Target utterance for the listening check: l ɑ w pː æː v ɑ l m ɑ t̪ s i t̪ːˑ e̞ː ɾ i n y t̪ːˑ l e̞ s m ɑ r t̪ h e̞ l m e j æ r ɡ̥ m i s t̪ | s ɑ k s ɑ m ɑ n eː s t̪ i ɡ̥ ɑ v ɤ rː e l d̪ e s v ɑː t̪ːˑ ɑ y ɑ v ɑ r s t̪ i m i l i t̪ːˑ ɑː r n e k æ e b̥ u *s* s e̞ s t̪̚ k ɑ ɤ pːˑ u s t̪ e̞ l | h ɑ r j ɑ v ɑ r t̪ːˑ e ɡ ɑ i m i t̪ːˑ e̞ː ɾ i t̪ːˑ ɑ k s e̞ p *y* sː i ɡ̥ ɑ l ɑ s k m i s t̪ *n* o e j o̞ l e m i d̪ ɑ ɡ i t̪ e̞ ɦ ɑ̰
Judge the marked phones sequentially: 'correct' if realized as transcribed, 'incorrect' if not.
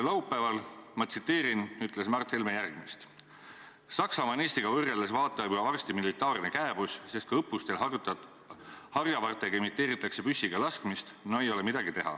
correct, correct, correct

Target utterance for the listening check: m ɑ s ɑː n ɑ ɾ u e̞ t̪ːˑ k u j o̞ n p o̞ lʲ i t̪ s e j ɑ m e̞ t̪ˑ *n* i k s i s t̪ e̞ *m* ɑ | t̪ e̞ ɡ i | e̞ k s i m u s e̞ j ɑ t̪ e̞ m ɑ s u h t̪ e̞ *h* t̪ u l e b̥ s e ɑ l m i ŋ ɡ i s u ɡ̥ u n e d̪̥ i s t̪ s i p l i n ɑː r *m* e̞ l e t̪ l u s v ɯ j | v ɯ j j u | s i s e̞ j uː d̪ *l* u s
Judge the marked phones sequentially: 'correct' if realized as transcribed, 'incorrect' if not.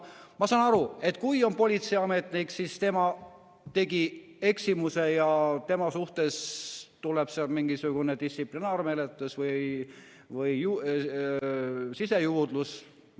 correct, correct, incorrect: s, correct, correct

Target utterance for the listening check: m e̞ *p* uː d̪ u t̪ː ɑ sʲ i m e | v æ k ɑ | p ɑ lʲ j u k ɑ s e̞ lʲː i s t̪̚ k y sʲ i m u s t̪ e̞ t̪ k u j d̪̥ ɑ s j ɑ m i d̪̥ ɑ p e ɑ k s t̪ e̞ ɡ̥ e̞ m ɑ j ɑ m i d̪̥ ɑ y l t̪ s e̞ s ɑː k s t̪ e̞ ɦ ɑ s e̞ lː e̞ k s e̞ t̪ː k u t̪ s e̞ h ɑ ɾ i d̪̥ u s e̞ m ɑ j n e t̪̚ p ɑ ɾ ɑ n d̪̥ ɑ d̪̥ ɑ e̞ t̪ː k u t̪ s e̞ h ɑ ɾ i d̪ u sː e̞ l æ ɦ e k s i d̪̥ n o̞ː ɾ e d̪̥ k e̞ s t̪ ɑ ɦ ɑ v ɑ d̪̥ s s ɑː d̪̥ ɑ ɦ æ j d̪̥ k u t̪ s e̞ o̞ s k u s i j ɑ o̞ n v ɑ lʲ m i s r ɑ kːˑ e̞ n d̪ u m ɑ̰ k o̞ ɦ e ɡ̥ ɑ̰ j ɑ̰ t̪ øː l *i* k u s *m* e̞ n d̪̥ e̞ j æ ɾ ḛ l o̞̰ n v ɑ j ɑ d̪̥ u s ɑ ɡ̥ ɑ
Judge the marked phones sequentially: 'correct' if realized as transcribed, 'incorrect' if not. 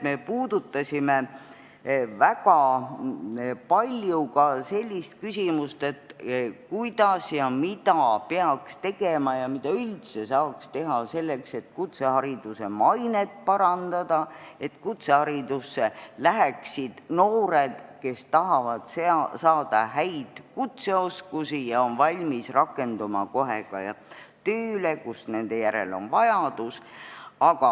correct, incorrect: e, incorrect: n

